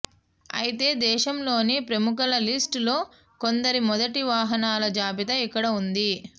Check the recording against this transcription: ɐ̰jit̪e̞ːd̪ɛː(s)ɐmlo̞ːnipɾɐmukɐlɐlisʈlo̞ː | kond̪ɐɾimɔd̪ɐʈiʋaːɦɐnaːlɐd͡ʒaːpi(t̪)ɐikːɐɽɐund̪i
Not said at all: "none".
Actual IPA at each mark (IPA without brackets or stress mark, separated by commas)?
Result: ʃ, t̪